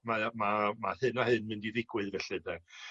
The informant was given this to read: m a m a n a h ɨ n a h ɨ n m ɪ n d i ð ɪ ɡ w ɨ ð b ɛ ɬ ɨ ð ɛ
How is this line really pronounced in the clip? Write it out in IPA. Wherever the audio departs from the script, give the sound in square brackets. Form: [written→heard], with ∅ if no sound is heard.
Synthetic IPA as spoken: m a m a [n→m] a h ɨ n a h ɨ n m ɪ n d i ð ɪ ɡ w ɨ ð [b→v] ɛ ɬ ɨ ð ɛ